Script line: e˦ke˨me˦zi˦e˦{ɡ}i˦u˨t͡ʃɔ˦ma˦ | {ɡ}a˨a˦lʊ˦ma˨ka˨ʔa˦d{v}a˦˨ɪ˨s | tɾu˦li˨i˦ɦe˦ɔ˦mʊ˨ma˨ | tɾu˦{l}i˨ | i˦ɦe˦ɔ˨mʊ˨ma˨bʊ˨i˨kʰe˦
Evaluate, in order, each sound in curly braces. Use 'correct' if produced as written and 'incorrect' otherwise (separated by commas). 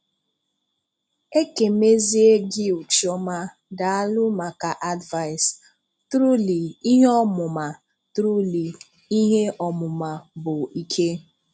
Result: correct, incorrect, correct, correct